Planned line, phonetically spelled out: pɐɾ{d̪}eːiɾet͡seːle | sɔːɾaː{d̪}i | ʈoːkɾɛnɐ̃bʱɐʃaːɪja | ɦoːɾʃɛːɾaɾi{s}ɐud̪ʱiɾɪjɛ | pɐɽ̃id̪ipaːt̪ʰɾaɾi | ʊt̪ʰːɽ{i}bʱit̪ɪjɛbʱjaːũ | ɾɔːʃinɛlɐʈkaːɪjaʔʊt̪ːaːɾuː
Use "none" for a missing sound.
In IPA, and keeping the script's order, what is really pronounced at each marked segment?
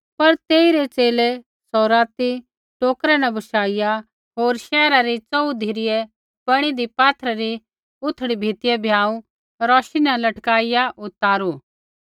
t̪, t̪, t͡s, i

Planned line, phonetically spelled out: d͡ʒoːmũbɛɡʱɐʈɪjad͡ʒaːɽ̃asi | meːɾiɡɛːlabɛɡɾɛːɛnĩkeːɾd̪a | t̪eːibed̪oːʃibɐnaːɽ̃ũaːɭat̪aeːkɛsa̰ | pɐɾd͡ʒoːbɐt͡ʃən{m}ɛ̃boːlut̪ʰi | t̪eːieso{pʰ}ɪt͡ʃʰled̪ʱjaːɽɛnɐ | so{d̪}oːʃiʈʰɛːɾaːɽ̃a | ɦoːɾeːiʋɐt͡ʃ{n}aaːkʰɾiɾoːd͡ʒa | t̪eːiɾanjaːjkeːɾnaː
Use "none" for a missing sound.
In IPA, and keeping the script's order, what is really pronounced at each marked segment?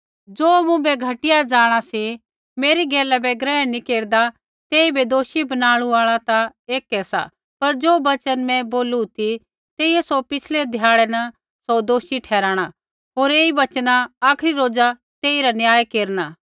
m, p, d̪, n

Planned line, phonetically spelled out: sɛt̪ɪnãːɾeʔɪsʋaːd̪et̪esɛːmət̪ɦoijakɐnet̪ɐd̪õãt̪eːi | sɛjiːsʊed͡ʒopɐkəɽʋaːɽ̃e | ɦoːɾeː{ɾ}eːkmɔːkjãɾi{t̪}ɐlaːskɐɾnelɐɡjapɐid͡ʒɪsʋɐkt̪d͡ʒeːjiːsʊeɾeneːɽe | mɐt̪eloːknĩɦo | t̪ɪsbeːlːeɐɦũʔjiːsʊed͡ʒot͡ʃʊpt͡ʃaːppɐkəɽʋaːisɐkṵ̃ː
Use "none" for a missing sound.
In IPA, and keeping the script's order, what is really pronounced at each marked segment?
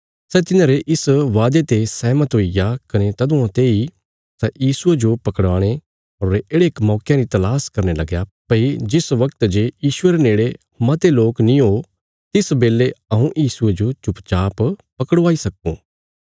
ɽ, t̪

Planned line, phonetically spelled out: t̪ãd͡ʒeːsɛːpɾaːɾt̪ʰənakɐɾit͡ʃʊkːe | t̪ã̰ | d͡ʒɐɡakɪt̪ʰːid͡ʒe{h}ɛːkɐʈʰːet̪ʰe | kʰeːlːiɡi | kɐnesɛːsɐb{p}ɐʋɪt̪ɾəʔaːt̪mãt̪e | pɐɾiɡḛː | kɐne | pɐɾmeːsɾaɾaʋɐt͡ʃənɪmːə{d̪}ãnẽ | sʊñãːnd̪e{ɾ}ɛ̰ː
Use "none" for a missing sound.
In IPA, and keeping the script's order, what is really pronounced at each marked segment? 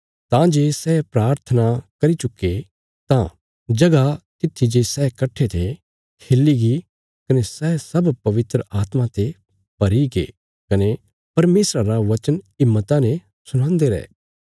s, p, t̪, ɾ

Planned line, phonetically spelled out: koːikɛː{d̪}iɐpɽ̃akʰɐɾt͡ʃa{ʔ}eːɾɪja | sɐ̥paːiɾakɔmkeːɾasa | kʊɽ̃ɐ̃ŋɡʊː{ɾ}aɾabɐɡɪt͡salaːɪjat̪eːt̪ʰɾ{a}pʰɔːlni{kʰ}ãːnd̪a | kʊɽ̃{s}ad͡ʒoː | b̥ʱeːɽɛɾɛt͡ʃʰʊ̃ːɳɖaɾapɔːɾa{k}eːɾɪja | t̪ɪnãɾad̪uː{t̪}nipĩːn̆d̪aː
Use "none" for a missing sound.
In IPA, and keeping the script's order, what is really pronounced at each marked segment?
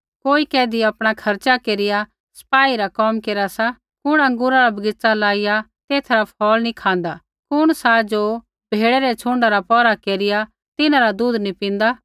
d̪, k, ɾ, a, kʰ, s, k, d̪

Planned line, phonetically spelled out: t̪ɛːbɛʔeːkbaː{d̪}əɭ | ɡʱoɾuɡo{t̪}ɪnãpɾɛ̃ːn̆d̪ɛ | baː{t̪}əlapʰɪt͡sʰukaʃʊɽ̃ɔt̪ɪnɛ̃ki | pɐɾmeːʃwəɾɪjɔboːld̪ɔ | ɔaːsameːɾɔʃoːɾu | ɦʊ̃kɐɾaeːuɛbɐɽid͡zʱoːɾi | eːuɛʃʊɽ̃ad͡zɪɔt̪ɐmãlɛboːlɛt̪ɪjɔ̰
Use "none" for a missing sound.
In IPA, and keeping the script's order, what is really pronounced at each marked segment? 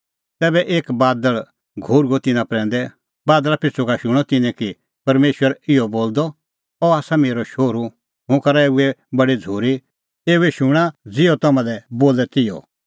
d̪, t̪, d̪

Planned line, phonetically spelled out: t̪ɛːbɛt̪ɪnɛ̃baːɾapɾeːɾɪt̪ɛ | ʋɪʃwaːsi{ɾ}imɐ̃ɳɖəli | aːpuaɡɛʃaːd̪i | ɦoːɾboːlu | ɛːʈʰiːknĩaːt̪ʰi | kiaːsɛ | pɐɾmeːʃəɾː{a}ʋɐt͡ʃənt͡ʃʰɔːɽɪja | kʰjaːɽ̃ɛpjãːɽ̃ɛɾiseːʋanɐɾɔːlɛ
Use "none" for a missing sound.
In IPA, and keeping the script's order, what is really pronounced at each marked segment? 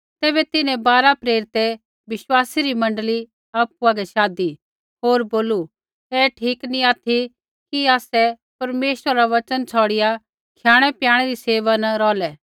ɾ, a

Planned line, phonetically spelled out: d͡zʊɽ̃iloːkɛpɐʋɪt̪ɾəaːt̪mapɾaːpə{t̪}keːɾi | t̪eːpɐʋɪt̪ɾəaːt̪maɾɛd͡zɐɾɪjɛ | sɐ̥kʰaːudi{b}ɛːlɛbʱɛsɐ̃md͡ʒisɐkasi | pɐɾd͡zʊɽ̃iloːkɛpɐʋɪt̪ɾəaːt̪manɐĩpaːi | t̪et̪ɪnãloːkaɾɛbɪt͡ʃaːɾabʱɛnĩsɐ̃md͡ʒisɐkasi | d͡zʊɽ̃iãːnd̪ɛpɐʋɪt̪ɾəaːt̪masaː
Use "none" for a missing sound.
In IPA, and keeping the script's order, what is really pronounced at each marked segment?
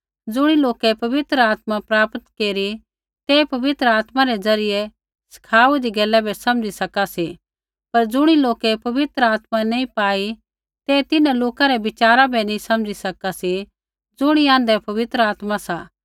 t̪, ɡ

